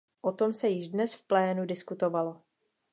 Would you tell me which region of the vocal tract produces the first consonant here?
throat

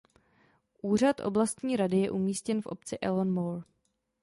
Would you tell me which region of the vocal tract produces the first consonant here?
throat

